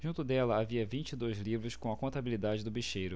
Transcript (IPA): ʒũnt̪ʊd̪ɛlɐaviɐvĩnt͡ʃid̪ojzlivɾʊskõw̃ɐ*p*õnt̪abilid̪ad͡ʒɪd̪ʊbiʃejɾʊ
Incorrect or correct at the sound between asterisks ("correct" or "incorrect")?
incorrect